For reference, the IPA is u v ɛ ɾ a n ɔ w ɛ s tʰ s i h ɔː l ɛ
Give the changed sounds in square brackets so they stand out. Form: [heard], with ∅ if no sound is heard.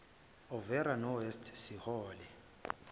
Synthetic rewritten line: [ɔ] v ɛ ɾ a n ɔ w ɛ s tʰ s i h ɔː l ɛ